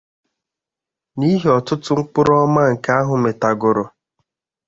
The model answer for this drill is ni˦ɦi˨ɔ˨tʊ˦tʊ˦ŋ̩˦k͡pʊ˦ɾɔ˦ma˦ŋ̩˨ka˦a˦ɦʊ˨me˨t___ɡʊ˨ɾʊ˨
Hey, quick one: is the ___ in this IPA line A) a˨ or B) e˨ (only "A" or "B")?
A